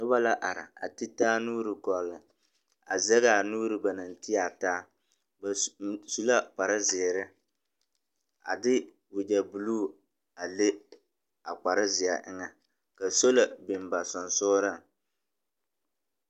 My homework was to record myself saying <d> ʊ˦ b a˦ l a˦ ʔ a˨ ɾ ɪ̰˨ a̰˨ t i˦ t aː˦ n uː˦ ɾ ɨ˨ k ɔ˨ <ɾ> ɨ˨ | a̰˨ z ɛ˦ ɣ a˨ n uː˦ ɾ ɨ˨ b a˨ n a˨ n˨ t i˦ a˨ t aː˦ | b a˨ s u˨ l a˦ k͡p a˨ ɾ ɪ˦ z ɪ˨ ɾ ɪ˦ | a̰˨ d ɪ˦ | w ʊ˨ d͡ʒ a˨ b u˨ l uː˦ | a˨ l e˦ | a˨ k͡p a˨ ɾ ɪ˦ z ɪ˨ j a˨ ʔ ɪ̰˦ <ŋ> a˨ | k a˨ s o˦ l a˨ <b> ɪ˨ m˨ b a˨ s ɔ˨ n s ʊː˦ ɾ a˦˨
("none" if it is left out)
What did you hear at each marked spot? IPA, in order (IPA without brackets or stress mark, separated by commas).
n, l, ŋ, b